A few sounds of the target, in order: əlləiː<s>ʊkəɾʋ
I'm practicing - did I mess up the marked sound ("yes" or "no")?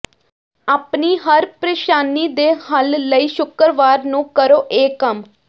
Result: yes